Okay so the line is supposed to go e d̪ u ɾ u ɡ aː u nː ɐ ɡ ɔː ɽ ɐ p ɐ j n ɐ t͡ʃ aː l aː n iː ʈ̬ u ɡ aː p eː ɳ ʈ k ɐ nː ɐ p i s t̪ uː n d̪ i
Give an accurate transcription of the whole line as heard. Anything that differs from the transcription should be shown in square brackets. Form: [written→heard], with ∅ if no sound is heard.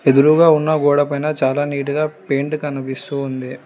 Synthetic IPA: e d̪ u ɾ u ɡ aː u nː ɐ ɡ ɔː ɽ ɐ p ɐ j n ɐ t͡ʃ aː l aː n iː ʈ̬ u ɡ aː p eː ɳ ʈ k ɐ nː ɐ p i s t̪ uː n d̪ i